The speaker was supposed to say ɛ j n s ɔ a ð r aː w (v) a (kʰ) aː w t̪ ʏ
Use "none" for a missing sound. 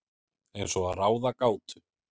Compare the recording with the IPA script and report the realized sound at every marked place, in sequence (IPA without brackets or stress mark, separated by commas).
ð, k